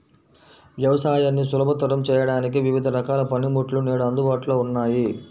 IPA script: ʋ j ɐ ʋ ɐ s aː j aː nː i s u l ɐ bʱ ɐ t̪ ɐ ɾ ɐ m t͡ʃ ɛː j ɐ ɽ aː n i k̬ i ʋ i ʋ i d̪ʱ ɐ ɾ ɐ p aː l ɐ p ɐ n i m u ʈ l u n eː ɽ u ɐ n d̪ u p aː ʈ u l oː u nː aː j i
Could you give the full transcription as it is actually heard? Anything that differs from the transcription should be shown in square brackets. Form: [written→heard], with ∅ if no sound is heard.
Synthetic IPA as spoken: ʋ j ɐ ʋ ɐ s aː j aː nː i s u l ɐ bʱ ɐ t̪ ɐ ɾ ɐ m t͡ʃ ɛː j ɐ ɽ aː n i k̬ i ʋ i ʋ i d̪ʱ ɐ ɾ ɐ [p→k] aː l ɐ p ɐ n i m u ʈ l u n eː ɽ u ɐ n d̪ u [p→b] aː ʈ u l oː u nː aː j i